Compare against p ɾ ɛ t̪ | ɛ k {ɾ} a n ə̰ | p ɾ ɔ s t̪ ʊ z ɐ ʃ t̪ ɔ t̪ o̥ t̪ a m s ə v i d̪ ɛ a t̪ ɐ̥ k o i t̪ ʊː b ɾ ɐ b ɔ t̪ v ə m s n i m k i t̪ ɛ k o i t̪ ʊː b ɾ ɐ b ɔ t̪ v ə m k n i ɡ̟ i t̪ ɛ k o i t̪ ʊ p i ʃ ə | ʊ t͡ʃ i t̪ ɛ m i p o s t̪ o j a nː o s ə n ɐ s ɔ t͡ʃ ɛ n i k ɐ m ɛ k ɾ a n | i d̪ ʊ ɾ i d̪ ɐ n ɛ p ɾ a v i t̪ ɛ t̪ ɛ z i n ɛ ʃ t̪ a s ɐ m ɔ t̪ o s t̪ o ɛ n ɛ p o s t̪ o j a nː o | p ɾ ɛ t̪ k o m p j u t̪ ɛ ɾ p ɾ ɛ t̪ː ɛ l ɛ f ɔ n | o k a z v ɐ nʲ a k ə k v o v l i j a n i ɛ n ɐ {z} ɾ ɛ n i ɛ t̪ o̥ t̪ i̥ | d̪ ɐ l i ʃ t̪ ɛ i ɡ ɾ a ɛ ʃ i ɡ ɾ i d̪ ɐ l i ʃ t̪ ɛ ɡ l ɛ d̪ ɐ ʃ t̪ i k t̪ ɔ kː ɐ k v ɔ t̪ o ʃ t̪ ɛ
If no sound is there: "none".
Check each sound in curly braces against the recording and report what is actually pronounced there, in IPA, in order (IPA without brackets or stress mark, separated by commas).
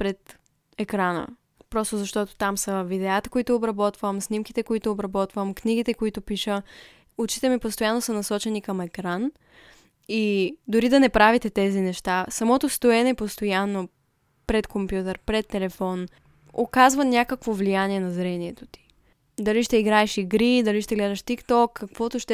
ɾ, z